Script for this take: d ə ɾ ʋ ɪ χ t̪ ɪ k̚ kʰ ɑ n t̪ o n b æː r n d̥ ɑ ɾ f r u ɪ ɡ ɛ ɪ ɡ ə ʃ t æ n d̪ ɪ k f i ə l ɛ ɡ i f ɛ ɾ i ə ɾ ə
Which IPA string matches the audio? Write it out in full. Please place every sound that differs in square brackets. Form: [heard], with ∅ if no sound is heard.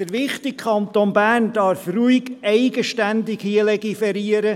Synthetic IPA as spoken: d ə ɾ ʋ ɪ χ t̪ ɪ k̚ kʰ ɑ n t̪ o n b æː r n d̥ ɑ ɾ f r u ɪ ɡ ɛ ɪ ɡ ə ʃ t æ n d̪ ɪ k [h] i ə l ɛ ɡ i f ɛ ɾ i ə ɾ ə